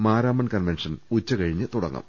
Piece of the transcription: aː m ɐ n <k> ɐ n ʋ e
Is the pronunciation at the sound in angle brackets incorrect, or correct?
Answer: correct